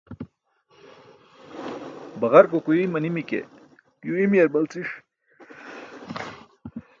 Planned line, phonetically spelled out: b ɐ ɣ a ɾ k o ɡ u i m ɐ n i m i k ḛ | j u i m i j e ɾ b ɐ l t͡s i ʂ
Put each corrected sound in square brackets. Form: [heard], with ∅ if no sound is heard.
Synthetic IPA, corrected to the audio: b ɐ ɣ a ɾ k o [k] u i m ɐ n i m i k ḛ | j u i m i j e ɾ b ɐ l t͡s i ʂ